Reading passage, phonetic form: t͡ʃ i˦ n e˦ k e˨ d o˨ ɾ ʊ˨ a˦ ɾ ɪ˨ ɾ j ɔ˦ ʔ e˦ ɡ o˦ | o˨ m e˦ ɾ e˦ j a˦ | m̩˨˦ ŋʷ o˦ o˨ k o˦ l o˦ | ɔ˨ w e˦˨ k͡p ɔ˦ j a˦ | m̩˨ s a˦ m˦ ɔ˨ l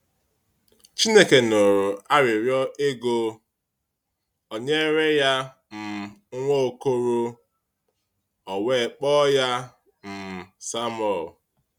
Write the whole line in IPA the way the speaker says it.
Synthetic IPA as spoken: t͡ʃ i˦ n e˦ k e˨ n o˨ ɾ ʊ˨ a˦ ɾ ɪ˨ ɾ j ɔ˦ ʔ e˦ ɡ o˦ | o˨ ɲ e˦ ɾ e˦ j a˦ | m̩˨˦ ŋʷ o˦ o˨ k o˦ ɾ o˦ | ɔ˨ w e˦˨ k͡p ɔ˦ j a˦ | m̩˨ s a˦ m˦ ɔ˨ l